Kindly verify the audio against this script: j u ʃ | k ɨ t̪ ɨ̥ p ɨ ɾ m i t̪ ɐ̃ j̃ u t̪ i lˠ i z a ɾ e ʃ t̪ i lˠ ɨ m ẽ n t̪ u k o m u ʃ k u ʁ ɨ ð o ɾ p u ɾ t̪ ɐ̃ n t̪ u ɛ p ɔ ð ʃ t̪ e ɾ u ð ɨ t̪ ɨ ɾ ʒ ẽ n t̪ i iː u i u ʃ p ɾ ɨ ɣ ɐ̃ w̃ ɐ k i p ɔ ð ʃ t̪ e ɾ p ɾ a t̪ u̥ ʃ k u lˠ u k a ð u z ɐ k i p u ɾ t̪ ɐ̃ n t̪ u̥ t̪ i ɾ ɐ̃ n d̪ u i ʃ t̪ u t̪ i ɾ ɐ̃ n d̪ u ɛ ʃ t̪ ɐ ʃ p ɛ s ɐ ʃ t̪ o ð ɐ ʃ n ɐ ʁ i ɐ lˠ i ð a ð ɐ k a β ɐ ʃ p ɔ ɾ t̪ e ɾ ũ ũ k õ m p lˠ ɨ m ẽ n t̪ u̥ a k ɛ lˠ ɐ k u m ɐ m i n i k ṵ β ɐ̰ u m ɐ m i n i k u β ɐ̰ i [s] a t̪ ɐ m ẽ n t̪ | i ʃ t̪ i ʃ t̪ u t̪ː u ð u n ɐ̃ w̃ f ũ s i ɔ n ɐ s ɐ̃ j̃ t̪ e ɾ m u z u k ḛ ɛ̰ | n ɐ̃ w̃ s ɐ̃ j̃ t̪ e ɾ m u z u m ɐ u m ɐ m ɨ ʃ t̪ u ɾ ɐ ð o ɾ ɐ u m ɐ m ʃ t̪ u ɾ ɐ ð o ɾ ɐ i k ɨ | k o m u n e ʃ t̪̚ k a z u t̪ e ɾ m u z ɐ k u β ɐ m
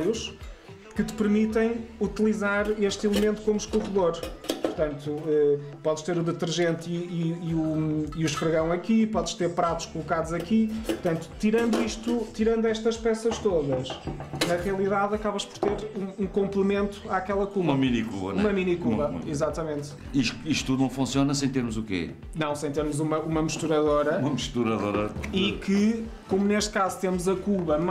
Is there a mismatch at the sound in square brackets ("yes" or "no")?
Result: yes